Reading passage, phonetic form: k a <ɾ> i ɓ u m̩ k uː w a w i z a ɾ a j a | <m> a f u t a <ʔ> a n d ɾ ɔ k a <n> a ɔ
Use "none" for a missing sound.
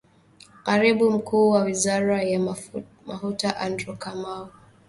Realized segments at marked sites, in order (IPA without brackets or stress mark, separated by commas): ɾ, m, ʔ, m